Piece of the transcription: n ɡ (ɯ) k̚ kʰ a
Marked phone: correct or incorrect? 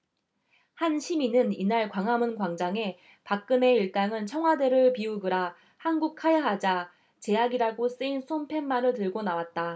incorrect